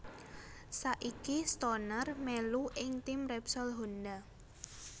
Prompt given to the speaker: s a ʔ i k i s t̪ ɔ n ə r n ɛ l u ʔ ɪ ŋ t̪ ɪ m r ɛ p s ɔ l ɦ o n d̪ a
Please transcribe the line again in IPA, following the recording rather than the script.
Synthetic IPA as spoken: s a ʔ i k i s t̪ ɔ n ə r m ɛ l u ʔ ɪ ŋ t̪ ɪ m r ɛ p s ɔ l ɦ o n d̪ a